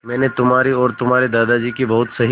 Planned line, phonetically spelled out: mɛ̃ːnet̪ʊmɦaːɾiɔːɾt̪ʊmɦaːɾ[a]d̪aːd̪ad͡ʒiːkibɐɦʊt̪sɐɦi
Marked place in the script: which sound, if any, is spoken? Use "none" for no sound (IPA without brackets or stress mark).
e